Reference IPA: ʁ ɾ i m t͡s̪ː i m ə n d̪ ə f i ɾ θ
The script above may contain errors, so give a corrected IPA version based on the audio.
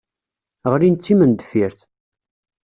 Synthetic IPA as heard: ʁ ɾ i n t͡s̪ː i m ə n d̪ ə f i ɾ θ